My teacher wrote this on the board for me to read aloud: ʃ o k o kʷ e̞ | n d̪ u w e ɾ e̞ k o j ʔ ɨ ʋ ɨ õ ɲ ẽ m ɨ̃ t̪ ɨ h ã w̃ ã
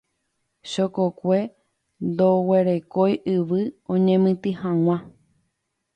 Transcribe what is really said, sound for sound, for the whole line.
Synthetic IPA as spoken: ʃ o k o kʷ e̞ | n d̪ o w e ɾ e̞ k o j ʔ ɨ ʋ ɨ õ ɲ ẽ m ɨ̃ t̪ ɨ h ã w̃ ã